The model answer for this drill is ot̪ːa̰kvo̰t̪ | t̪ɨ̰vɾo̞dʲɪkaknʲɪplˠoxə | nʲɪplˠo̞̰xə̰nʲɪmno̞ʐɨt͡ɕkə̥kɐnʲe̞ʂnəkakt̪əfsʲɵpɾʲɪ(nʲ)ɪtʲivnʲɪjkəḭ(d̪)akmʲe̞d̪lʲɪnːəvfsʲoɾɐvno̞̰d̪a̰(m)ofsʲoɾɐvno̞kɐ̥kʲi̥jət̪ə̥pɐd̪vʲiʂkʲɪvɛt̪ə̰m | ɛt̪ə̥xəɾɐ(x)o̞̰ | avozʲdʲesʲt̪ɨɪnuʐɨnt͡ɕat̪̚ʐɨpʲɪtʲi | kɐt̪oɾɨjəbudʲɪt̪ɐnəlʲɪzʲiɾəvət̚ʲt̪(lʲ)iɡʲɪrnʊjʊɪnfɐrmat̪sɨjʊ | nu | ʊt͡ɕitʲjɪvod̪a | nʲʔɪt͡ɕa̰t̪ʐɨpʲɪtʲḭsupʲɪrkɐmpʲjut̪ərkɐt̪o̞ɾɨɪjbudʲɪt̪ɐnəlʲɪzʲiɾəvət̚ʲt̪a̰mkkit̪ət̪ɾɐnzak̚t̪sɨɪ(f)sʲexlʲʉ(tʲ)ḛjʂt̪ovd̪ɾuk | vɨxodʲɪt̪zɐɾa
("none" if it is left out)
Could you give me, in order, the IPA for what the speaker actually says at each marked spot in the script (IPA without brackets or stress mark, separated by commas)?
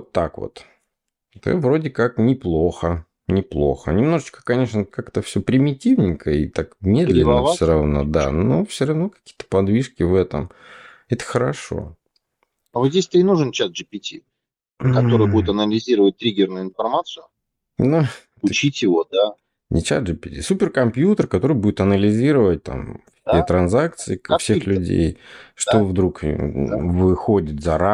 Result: mʲ, t̪, n, ʂ, ɾʲ, f, dʲ